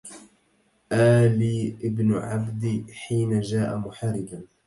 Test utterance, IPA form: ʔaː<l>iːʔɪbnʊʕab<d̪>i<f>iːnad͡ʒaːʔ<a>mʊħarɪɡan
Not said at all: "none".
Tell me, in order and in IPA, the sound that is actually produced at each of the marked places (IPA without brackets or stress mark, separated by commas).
l, d̪, ħ, a